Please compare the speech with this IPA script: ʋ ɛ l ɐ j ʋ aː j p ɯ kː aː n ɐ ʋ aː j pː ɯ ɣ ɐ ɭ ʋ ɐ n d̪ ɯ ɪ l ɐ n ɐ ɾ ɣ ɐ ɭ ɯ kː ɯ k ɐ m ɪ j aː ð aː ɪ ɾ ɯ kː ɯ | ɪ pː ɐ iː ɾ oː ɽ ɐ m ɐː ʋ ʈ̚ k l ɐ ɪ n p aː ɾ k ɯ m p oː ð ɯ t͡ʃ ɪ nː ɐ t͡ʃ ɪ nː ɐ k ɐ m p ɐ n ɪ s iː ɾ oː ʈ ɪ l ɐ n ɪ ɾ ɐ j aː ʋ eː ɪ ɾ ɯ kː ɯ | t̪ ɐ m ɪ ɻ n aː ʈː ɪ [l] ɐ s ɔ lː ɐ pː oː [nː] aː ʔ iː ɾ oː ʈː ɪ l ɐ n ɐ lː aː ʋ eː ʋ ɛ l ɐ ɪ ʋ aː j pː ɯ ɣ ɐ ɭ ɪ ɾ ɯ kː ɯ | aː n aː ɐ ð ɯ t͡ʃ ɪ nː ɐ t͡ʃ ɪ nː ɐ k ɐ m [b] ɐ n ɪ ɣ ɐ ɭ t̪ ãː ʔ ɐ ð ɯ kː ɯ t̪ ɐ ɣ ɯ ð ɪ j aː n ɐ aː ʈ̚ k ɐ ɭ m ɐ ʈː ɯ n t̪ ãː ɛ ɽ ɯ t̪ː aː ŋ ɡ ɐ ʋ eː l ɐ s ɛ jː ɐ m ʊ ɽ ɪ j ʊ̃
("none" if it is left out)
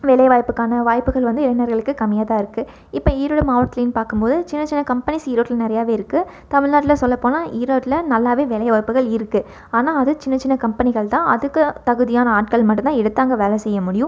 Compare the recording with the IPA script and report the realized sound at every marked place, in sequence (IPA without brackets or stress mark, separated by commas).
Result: l, n, p